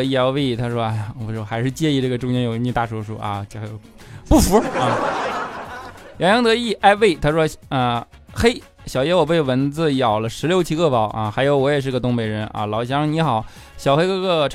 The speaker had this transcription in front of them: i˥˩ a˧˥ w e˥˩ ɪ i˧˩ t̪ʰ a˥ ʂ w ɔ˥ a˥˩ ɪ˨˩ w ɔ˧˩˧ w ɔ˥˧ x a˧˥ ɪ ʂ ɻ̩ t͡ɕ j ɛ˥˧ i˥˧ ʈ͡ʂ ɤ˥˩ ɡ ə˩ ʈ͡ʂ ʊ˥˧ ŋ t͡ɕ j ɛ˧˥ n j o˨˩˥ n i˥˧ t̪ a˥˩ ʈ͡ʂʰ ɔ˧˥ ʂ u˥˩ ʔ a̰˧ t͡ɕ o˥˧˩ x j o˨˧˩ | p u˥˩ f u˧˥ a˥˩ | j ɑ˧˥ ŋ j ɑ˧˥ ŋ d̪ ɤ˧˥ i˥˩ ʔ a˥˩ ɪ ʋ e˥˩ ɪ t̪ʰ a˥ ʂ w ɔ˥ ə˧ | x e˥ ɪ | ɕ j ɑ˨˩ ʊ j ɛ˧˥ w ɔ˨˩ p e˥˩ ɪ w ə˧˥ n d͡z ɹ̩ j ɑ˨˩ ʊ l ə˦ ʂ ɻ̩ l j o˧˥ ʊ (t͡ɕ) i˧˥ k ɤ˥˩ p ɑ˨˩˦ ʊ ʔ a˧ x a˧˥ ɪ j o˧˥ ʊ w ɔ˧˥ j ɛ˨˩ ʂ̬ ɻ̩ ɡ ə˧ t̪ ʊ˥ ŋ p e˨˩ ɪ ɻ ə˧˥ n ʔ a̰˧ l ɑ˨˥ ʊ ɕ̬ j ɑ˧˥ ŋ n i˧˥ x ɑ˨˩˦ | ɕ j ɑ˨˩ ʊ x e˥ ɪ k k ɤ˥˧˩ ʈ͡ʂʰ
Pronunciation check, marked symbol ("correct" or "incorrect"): incorrect